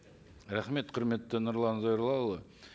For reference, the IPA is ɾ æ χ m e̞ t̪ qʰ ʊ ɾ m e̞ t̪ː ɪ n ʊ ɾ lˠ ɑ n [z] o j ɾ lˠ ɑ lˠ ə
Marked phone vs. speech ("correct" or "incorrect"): correct